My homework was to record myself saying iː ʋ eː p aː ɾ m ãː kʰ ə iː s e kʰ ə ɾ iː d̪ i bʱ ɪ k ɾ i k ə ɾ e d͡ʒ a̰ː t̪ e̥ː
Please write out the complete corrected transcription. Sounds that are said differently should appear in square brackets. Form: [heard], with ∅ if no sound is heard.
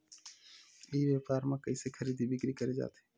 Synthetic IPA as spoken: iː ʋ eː p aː ɾ m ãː [k] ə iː s e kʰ ə ɾ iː d̪ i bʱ ɪ k ɾ i k ə ɾ e d͡ʒ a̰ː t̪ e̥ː